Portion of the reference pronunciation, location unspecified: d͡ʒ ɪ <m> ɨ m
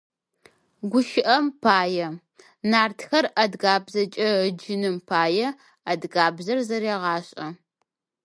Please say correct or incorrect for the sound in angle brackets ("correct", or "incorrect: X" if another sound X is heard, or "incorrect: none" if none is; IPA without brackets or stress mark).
incorrect: n